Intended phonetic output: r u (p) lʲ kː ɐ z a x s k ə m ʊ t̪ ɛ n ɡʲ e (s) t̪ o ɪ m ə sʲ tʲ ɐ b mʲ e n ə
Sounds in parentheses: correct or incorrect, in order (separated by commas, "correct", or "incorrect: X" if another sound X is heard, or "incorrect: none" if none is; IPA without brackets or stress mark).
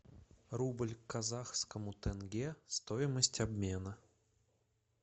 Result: incorrect: b, correct